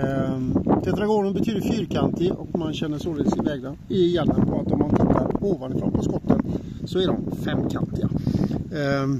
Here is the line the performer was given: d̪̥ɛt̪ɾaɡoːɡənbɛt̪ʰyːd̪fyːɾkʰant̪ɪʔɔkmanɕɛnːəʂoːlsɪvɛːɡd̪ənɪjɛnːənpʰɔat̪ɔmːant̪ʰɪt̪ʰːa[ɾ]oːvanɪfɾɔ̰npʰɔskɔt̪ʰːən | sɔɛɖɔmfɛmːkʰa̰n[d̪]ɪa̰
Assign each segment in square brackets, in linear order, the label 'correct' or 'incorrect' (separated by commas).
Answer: correct, incorrect